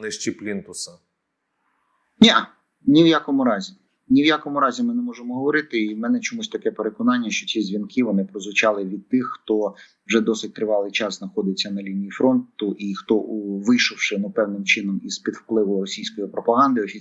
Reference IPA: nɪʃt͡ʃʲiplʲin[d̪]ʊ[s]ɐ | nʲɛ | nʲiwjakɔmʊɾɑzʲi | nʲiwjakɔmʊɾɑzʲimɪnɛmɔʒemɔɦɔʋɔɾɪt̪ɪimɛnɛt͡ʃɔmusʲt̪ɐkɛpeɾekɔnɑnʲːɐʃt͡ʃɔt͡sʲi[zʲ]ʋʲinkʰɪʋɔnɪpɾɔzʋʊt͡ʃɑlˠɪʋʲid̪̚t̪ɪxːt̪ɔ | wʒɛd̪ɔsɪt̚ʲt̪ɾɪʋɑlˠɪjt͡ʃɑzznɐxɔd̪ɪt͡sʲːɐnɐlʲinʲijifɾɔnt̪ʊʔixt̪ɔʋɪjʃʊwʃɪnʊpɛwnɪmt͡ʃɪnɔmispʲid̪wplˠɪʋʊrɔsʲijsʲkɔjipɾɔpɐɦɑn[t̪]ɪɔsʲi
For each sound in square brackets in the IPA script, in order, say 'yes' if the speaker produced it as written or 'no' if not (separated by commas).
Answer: no, yes, yes, no